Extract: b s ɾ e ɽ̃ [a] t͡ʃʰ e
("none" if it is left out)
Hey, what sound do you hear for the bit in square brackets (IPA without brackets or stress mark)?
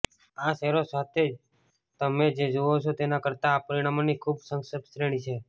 i